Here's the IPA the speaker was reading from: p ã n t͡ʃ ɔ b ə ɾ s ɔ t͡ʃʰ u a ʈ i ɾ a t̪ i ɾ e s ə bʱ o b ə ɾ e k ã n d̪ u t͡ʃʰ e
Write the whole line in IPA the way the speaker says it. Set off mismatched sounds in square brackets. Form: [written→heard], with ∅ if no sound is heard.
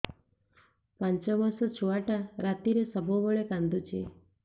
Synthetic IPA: p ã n t͡ʃ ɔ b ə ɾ s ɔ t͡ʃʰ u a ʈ [i→a] ɾ a t̪ i ɾ e s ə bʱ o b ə [ɾ→ɭ] e k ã n d̪ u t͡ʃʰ e